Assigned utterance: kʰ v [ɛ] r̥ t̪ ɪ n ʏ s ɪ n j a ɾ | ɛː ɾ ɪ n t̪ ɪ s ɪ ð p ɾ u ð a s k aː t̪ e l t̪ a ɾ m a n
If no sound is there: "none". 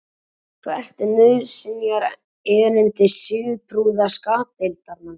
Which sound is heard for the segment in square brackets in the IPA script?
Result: ɛ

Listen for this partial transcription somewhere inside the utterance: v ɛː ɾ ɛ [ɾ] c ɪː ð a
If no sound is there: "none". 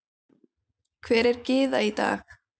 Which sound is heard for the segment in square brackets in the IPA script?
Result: ɾ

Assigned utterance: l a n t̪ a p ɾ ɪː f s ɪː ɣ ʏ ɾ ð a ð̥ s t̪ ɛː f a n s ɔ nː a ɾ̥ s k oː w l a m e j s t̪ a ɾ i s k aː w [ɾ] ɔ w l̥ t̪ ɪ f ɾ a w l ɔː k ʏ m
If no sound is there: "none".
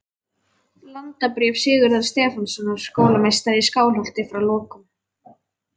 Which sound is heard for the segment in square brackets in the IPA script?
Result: l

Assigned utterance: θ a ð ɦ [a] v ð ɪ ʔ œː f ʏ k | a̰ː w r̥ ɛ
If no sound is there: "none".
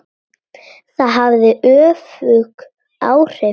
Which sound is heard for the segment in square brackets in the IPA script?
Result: a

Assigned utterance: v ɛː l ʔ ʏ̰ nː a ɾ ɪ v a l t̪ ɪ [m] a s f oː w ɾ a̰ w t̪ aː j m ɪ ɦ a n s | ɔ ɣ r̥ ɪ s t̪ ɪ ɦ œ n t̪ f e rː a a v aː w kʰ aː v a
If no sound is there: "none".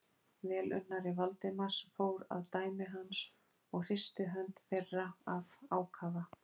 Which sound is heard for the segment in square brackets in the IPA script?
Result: m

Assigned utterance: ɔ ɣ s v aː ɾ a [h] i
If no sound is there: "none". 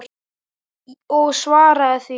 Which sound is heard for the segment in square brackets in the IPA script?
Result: θ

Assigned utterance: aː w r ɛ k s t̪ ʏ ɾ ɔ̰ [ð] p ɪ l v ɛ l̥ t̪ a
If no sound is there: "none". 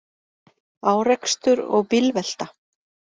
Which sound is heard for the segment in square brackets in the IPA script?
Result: ɣ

